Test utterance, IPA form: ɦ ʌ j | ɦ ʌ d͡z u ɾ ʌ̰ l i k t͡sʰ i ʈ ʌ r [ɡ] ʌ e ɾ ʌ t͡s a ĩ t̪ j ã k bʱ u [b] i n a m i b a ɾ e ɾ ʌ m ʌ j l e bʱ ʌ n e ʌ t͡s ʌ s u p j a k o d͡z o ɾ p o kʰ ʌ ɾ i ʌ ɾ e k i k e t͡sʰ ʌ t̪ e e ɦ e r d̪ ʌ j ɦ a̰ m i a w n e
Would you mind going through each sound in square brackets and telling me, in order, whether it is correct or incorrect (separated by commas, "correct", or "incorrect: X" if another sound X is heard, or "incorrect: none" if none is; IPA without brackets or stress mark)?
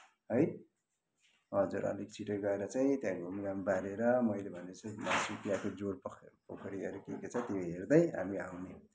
correct, incorrect: m